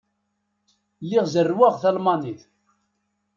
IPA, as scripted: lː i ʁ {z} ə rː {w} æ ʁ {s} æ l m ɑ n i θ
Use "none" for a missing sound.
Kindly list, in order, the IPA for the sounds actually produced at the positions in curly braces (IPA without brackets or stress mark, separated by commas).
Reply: z, w, θ